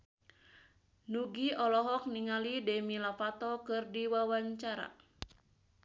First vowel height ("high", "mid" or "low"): high